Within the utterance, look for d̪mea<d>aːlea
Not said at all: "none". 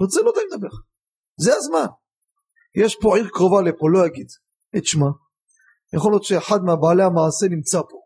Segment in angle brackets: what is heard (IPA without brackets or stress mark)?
b